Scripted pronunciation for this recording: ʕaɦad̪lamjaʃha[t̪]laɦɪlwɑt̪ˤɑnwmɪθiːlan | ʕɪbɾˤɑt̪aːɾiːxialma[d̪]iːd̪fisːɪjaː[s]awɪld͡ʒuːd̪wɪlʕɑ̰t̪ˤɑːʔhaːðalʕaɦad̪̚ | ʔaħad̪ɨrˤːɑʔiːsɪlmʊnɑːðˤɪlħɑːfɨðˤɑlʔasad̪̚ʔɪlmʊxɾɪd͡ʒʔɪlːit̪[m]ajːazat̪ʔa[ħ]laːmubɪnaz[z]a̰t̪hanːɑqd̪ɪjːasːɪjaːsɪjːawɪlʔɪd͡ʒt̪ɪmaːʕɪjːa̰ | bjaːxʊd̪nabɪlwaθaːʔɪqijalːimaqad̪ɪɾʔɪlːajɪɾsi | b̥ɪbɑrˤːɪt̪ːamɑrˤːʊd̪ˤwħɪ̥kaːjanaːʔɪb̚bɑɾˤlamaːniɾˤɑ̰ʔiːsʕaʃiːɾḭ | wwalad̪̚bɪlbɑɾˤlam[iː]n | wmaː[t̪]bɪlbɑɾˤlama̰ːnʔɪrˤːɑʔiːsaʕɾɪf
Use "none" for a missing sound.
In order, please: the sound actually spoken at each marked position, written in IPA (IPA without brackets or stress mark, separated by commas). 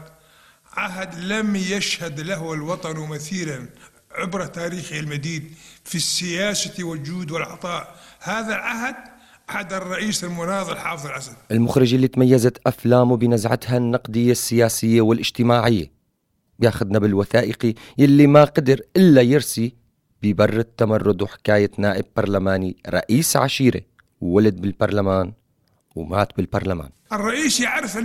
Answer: d̪, d̪, s, m, f, ʕ, aː, t̪